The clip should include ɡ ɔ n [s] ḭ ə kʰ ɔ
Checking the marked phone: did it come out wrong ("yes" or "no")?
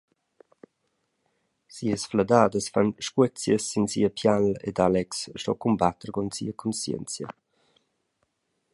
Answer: no